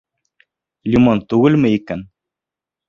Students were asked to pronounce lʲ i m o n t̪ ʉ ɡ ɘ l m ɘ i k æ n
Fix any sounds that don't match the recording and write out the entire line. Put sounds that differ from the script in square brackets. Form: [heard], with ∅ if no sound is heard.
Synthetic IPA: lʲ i m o n t̪ ʉ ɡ ɘ l m ɘ i k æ n